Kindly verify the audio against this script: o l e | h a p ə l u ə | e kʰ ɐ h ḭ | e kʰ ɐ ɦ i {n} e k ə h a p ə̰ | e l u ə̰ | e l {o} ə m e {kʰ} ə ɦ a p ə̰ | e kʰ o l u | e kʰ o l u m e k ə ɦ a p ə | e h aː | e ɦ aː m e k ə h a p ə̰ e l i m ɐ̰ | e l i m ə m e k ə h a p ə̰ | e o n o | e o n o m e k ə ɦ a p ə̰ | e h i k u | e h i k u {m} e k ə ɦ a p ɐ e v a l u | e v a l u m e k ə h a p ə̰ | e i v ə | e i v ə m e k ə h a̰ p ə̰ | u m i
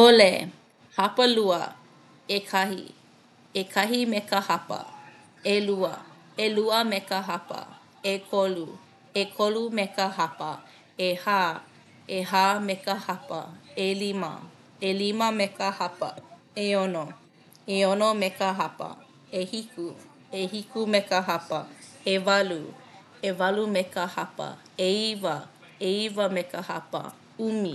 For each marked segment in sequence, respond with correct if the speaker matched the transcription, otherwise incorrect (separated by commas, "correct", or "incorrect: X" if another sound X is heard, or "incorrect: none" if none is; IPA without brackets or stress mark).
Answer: incorrect: m, incorrect: u, incorrect: k, correct